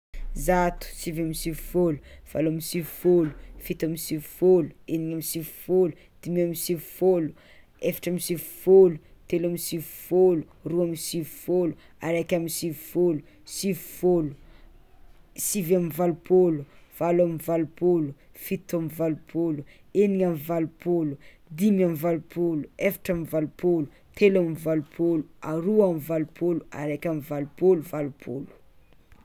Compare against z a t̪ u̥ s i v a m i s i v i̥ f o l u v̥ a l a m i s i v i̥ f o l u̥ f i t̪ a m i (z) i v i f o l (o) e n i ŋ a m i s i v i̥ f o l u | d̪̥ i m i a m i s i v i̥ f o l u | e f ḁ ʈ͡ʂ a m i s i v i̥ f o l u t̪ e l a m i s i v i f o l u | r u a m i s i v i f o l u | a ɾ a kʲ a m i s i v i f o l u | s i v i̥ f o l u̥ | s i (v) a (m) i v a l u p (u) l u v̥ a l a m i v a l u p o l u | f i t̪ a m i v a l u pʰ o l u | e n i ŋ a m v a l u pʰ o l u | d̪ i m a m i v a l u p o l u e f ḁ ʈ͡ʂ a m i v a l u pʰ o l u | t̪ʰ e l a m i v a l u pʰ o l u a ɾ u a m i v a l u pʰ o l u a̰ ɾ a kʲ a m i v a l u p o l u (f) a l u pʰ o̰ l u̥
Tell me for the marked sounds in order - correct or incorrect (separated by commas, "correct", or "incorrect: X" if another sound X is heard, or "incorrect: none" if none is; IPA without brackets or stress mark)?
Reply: incorrect: s, incorrect: u, correct, correct, incorrect: o, incorrect: v